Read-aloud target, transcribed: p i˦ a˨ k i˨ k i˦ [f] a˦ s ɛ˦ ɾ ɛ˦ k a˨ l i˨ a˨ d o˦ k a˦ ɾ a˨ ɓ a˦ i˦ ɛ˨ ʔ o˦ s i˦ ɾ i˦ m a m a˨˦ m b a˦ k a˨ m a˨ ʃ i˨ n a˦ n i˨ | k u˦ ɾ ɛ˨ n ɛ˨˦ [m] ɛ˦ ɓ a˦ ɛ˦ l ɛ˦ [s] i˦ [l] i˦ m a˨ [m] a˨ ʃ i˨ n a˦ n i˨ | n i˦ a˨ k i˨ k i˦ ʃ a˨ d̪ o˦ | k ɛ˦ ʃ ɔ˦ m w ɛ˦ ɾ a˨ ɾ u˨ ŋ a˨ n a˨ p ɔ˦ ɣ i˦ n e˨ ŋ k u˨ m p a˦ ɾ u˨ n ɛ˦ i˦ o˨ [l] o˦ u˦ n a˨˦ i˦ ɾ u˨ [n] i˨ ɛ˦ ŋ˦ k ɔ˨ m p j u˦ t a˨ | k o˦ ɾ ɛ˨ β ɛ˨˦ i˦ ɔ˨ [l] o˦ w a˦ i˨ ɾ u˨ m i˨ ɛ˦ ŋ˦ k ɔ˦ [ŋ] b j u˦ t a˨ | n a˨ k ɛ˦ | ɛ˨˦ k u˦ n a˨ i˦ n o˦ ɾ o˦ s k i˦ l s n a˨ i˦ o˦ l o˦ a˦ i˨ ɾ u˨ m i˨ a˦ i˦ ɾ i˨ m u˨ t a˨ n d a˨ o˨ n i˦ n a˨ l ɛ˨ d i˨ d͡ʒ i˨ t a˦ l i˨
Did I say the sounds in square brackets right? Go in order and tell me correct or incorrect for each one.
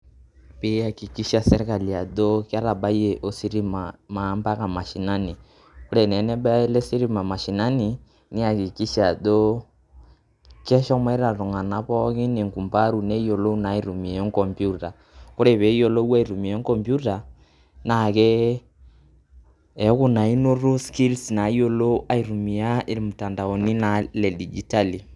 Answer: incorrect: ʃ, incorrect: n, correct, incorrect: ɾ, correct, correct, incorrect: m, correct, incorrect: m

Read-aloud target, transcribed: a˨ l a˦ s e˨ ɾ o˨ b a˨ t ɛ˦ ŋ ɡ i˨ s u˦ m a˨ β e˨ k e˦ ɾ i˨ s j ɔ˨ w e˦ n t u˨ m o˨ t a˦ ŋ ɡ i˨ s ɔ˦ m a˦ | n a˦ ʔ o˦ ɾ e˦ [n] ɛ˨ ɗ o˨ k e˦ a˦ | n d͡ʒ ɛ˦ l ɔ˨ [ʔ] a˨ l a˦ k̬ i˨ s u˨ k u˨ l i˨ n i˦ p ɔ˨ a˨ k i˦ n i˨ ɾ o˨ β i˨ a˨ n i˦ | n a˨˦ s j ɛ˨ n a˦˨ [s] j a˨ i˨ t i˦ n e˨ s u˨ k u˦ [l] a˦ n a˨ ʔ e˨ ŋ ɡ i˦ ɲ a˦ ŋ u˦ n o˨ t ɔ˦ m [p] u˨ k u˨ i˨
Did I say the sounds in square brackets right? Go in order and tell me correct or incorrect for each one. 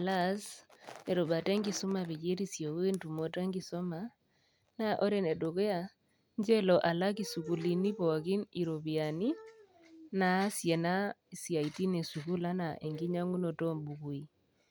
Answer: correct, correct, correct, correct, incorrect: b

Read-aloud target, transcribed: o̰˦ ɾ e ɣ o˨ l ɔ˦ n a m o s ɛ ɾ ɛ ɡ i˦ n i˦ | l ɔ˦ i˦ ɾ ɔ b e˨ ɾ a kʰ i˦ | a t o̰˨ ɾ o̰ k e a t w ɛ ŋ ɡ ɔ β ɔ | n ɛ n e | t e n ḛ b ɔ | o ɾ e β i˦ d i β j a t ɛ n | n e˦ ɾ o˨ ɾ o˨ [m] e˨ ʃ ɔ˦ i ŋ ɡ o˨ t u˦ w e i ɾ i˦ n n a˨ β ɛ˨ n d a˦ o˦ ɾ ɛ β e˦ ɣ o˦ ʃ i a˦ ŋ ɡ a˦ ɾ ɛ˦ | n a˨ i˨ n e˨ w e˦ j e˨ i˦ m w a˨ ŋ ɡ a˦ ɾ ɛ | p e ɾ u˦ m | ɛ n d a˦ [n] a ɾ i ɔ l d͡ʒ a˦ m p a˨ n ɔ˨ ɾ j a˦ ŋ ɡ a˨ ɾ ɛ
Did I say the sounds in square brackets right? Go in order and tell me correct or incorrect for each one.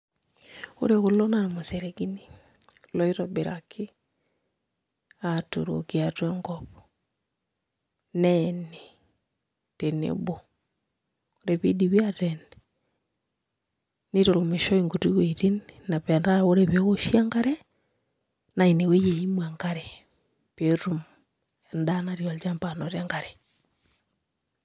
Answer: correct, correct

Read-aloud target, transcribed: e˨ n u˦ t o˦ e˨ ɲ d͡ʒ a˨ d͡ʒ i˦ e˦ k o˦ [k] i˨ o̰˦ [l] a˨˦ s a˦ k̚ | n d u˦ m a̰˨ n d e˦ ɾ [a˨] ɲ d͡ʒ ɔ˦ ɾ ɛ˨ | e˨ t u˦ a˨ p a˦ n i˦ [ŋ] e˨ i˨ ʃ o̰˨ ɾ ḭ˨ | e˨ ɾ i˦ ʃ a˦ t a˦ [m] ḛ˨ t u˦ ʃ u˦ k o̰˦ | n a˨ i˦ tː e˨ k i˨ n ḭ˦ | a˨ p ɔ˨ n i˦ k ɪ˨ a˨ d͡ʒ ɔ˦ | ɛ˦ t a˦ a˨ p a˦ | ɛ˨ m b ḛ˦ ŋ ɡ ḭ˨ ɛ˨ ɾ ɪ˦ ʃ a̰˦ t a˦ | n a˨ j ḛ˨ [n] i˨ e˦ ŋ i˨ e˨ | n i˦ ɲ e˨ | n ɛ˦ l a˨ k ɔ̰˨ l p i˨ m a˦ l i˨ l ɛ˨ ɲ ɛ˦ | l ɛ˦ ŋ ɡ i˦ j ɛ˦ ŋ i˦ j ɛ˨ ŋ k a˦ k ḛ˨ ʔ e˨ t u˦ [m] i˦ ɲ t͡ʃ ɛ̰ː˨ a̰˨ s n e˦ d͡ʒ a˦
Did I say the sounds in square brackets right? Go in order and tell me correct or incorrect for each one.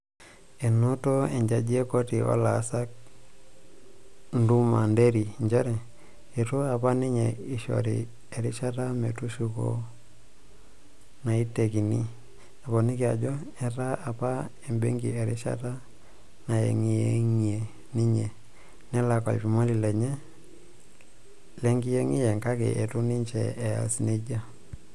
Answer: incorrect: t, correct, incorrect: i˨, incorrect: ɲ, correct, incorrect: ŋ, incorrect: n

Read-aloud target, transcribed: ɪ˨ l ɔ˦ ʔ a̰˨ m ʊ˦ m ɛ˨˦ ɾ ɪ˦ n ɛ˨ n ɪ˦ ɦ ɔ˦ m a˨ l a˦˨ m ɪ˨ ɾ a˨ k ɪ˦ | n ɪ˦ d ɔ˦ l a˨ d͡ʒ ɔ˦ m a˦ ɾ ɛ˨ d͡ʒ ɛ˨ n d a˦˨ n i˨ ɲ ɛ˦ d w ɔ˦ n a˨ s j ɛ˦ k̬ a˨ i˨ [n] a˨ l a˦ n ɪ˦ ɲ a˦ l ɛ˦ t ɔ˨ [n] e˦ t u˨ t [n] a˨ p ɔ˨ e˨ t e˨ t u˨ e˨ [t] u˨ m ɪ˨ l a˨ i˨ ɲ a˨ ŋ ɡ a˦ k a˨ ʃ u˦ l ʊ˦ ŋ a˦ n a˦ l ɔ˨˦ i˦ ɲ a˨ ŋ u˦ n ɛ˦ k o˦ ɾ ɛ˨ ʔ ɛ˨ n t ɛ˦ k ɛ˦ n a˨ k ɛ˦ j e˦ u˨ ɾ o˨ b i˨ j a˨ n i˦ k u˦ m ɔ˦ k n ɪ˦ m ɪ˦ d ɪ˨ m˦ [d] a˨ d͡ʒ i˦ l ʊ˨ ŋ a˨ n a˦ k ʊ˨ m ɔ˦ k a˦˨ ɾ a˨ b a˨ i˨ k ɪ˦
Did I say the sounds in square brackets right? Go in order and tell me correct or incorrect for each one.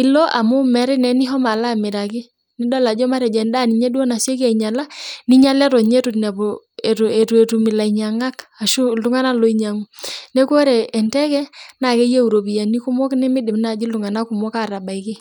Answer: incorrect: ɲ, incorrect: ɲ, correct, correct, incorrect: n

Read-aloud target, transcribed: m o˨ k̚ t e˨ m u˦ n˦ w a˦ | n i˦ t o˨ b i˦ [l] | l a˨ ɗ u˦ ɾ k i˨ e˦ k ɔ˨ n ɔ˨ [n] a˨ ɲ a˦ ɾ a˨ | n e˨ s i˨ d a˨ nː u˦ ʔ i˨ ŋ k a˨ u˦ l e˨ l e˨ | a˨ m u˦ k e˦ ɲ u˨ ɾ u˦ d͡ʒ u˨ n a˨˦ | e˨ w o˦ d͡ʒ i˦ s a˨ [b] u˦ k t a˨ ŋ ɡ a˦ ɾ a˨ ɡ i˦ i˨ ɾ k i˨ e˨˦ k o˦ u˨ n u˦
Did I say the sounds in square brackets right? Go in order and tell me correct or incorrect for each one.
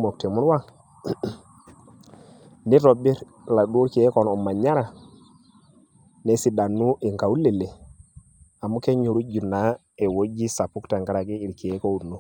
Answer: incorrect: ɾ, incorrect: m, incorrect: p

